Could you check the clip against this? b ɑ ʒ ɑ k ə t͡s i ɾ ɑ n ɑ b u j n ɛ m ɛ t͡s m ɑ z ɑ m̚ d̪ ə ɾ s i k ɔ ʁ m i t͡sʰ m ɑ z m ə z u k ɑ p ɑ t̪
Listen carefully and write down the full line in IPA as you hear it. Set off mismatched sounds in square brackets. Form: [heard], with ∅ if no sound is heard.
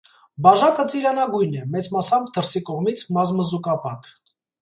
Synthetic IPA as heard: b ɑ ʒ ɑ k ə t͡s i ɾ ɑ n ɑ [ɡ] u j n ɛ m ɛ t͡s m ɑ [s] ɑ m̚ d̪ ə ɾ s i k ɔ ʁ m i t͡sʰ m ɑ z m ə z u k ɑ p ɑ t̪